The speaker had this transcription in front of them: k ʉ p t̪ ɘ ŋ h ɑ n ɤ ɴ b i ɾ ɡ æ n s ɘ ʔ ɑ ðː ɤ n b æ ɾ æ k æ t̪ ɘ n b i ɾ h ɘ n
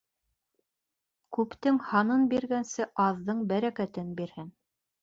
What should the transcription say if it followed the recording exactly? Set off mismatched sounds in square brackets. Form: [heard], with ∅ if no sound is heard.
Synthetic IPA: k ʉ p t̪ ɘ ŋ h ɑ n ɤ [n] b i ɾ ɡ æ n s ɘ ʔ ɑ ðː ɤ [ɴ] b æ ɾ æ k æ t̪ ɘ n b i ɾ h ɘ n

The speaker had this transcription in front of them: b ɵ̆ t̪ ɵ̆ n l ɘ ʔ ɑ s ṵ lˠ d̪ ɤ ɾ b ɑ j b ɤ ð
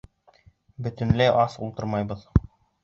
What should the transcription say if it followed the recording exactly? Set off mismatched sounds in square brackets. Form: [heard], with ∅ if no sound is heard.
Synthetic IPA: b ɵ̆ t̪ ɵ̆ n l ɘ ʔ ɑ s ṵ lˠ [t̪] ɤ ɾ [m] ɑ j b ɤ ð

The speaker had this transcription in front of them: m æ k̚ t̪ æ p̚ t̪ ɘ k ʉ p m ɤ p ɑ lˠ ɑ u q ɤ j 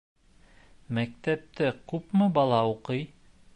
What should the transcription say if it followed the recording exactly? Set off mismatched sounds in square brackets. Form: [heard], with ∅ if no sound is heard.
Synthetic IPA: m æ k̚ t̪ æ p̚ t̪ ɘ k ʉ p m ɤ [b] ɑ lˠ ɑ u q ɤ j

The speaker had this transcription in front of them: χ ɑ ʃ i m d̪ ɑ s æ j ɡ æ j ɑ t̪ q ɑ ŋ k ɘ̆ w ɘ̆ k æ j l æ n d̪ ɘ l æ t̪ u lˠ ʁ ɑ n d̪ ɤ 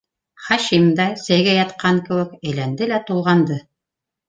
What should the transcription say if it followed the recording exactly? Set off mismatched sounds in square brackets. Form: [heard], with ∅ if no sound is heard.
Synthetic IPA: χ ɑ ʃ i m d̪ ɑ s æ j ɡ æ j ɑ t̪ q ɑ ŋ k ɘ̆ w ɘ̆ k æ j l æ n d̪ ɘ l æ t̪ u lˠ ʁ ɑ n d̪ ɤ

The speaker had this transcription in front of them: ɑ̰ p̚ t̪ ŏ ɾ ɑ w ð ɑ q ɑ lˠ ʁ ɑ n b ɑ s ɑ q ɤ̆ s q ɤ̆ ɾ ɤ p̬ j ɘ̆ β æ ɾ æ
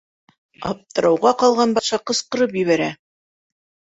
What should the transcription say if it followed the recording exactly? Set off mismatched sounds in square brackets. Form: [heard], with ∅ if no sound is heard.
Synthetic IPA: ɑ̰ p̚ t̪ [ɤ̆] ɾ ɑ w [ʁ] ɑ q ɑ lˠ ʁ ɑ n b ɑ [ʃ] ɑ q ɤ̆ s q ɤ̆ ɾ ɤ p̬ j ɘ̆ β æ ɾ æ

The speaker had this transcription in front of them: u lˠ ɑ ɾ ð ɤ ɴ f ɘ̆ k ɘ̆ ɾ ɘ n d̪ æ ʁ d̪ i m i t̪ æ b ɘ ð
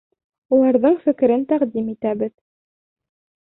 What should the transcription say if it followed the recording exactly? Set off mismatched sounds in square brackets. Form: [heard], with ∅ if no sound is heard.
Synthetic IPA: u lˠ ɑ ɾ ð ɤ ɴ f ɘ̆ k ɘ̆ ɾ ɘ n [t̪] æ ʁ d̪ i m i t̪ æ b ɘ ð

